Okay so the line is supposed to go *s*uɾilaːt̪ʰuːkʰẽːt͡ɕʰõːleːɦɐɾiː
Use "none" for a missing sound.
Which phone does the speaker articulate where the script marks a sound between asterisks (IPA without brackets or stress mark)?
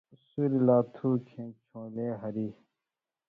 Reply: s